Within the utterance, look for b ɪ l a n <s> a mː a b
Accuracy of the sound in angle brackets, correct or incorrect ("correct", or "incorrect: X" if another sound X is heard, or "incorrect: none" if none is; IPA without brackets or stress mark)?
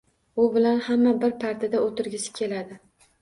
incorrect: h